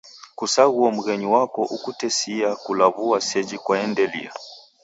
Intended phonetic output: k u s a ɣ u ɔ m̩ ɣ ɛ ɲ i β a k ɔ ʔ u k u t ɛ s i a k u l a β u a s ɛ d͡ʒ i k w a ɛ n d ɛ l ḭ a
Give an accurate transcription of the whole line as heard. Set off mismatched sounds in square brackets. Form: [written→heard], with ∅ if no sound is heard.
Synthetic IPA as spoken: k u s a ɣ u ɔ m̩ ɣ ɛ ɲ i [β→w] a k ɔ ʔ u k u t ɛ s i a k u l a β u a s ɛ d͡ʒ i k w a ɛ n d ɛ l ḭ a